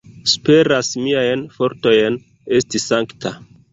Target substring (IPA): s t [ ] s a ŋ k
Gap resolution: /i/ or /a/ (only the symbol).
i